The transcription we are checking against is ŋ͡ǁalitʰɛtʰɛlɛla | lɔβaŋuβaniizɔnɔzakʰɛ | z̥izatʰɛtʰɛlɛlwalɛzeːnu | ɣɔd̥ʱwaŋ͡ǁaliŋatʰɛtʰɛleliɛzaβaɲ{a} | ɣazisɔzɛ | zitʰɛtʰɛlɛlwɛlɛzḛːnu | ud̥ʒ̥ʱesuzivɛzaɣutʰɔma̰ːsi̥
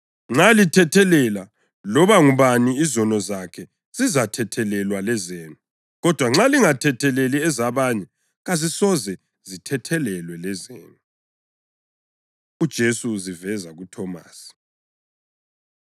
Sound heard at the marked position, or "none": ɛ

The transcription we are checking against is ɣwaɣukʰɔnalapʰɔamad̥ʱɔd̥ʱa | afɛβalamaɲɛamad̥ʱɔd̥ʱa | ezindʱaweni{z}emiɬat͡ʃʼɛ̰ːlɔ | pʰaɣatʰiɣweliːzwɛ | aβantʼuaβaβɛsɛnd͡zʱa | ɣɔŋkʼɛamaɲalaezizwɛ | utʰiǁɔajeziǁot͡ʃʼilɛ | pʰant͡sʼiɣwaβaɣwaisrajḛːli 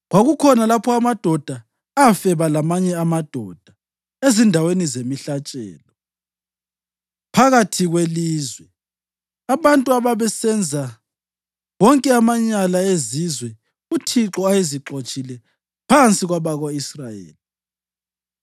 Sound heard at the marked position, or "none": z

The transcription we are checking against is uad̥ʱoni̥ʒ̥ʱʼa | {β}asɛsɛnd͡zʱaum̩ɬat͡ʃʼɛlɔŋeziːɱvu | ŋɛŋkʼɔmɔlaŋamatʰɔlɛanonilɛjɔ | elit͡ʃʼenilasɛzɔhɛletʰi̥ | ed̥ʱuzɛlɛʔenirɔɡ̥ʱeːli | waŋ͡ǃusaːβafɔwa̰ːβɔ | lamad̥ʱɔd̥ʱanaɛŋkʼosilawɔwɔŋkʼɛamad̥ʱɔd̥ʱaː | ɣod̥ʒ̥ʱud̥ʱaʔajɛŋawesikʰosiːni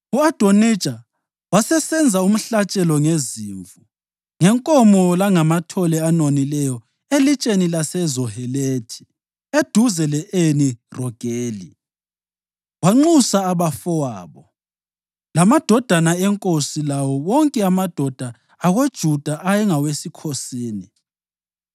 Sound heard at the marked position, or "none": w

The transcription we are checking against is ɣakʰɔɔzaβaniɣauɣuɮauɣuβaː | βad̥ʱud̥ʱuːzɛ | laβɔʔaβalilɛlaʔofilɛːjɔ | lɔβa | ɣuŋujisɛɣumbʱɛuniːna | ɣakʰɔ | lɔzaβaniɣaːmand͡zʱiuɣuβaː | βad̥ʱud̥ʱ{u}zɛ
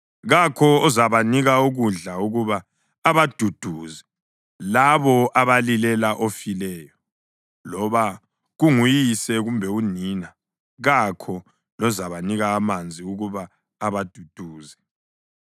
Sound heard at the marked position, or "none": uː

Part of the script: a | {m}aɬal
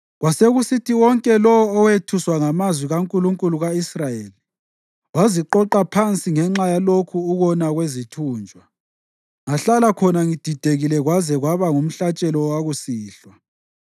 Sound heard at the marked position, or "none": ŋ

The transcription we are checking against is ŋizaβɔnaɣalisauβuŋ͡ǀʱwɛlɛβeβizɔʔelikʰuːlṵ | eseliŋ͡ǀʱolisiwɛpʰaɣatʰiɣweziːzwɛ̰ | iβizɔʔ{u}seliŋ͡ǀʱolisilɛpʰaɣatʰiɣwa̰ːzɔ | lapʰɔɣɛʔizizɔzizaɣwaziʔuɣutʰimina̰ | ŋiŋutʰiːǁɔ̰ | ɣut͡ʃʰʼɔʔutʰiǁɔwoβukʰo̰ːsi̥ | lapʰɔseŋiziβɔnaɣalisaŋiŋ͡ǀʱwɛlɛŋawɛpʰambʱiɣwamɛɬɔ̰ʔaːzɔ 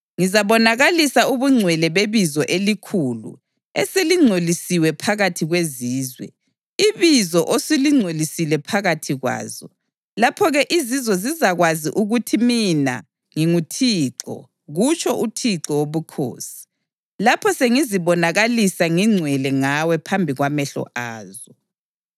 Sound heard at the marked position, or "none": o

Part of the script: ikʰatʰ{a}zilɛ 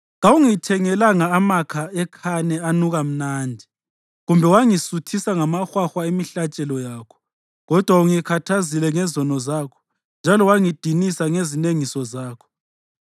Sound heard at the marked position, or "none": a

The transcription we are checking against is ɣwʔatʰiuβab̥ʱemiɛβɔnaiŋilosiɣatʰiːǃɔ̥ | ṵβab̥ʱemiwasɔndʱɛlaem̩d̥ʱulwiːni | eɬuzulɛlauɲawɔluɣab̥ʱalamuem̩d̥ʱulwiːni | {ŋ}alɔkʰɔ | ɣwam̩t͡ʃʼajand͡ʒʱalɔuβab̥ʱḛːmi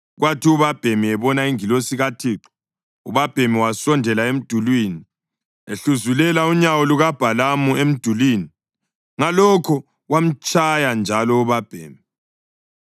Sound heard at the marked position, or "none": ŋ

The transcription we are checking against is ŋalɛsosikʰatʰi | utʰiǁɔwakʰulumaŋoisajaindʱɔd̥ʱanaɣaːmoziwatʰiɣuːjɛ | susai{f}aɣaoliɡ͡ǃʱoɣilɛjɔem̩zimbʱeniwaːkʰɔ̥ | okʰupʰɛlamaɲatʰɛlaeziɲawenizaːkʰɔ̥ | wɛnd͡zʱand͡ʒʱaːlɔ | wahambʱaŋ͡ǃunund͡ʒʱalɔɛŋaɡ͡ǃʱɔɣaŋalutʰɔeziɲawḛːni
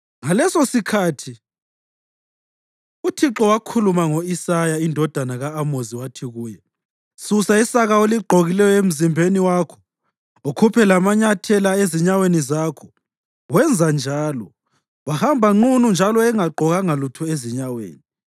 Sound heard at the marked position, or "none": s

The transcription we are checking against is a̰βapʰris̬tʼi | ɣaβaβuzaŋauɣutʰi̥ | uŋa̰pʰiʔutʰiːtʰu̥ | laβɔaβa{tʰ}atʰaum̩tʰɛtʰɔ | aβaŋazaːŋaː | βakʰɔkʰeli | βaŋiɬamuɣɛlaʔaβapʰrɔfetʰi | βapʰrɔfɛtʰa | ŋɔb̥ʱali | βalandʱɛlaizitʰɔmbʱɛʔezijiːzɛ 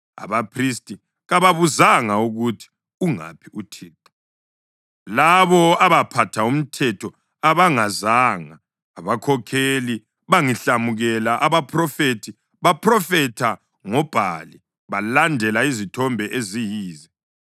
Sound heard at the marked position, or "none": pʰ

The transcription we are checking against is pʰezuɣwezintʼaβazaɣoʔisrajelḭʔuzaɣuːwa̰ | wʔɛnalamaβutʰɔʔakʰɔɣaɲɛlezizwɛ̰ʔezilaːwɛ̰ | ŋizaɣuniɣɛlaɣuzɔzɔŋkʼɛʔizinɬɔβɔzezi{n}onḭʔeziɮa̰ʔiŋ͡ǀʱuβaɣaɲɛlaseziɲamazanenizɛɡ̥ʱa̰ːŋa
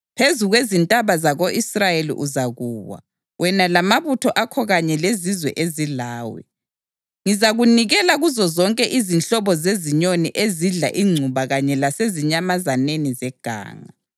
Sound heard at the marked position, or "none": ɲ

